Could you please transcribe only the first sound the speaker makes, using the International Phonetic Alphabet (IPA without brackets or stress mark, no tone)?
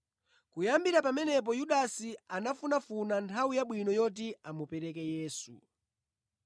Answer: k